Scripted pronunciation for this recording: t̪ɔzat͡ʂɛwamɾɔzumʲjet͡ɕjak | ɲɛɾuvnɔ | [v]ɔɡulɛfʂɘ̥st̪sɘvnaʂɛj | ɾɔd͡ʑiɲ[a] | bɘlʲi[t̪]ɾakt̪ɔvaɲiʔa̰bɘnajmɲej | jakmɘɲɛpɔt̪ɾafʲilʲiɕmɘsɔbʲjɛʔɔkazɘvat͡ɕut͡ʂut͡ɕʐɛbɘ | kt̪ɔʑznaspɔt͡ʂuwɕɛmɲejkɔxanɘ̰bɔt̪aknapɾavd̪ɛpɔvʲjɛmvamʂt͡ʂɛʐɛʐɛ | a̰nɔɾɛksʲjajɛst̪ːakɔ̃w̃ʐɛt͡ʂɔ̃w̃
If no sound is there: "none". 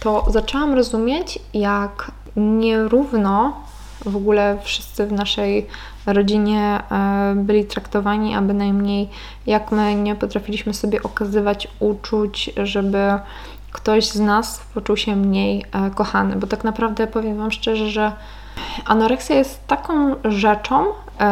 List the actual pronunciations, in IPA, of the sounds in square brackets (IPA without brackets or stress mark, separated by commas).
v, ɛ, t̪